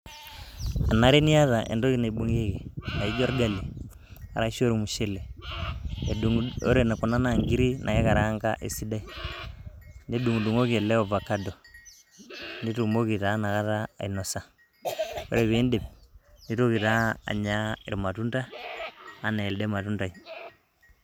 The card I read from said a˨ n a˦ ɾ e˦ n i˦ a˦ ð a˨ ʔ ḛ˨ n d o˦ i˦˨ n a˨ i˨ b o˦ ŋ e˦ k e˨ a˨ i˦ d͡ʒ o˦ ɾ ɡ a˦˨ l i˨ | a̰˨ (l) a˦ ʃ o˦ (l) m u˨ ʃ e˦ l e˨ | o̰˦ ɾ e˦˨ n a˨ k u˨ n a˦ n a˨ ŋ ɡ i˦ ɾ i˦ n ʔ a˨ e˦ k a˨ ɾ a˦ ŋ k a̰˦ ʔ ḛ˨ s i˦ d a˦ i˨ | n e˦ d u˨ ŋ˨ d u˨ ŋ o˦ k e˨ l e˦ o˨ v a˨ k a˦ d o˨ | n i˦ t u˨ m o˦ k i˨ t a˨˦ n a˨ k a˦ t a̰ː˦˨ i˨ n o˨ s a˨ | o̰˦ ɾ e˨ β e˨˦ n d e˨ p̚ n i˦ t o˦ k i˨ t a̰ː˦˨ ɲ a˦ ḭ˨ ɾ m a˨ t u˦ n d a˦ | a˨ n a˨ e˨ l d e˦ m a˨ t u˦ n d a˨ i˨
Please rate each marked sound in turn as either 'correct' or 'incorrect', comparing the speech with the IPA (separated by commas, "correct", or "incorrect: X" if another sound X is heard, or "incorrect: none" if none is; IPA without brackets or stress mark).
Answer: incorrect: ɾ, incorrect: ɾ